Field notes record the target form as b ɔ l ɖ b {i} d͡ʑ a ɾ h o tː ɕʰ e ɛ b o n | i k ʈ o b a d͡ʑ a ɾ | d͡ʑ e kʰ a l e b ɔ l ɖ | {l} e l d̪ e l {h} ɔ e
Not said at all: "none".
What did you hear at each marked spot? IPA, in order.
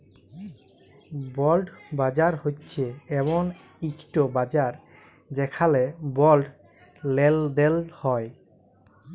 a, l, h

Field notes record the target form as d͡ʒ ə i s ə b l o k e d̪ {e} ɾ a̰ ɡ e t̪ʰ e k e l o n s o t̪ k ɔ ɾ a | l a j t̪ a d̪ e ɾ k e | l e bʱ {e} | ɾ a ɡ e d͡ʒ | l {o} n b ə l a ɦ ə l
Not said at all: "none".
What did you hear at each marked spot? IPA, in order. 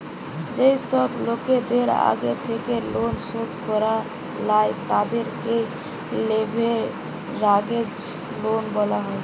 e, e, o

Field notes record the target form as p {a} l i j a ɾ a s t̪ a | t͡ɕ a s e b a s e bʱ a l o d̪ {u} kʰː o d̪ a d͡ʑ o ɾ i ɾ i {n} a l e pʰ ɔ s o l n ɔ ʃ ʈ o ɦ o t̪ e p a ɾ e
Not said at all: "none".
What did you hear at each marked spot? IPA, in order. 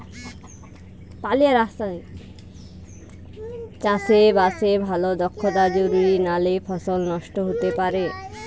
a, ɔ, n

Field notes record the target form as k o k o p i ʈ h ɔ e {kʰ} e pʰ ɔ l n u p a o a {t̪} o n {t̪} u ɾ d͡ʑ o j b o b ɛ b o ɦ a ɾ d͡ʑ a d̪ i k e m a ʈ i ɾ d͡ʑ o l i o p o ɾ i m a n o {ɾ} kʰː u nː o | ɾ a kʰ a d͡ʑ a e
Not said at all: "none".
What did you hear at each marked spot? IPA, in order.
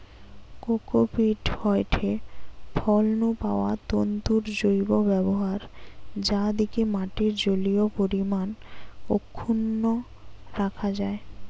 ʈʰ, t̪, t̪, none

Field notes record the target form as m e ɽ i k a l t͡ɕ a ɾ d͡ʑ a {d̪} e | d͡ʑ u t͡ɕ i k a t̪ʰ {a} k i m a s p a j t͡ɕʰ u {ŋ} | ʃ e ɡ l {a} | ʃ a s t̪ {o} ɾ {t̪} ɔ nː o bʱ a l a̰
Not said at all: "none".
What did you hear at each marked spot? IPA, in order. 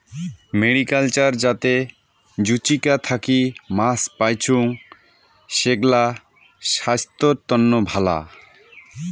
t̪, a, ŋ, a, o, t̪

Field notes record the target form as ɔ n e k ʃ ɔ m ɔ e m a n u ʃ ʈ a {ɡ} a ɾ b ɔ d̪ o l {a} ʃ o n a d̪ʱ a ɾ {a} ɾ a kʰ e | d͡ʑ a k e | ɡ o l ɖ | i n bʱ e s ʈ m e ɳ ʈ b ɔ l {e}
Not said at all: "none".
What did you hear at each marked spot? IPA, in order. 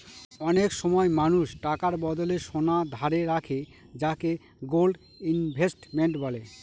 k, e, e, e

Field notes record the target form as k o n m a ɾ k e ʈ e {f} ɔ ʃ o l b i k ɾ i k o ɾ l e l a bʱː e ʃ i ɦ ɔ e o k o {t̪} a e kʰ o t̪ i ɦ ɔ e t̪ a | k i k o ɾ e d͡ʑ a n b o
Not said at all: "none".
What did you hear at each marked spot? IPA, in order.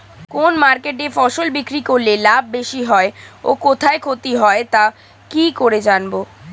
f, t̪ʰ

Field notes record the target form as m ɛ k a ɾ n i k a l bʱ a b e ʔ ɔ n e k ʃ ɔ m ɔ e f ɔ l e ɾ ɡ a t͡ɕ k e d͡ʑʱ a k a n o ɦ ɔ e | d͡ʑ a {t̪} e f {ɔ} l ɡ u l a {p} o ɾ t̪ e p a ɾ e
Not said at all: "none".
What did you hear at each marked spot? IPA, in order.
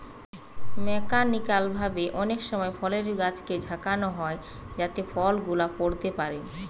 t̪, ɔ, p

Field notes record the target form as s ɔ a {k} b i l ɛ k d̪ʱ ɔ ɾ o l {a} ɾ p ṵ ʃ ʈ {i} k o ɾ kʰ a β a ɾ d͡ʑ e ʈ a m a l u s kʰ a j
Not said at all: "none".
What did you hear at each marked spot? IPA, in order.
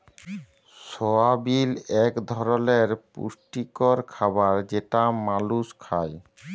none, e, i

